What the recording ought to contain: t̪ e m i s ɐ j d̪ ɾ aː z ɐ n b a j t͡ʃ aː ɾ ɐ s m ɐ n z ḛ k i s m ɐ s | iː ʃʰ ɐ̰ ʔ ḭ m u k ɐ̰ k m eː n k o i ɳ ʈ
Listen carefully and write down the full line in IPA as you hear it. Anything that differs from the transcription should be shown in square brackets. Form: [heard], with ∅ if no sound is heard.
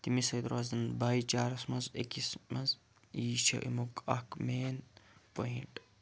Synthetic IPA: t̪ [i] m i s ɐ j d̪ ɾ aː z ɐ n b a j t͡ʃ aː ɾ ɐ s m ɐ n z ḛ k i s m ɐ [z] | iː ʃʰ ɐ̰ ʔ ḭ m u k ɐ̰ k m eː n [p] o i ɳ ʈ